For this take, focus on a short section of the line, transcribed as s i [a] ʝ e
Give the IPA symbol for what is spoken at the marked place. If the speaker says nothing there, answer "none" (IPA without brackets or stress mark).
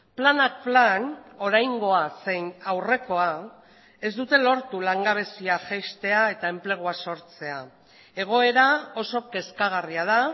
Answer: a